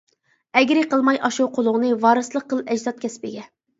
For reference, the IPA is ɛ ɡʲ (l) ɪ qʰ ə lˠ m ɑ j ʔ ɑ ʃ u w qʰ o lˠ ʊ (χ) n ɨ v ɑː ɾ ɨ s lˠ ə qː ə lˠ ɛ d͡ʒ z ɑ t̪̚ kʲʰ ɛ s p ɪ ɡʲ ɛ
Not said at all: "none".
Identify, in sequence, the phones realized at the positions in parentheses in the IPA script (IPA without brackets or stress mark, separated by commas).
ɾ, ʁ